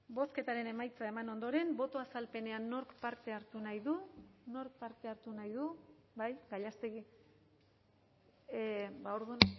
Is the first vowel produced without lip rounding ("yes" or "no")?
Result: no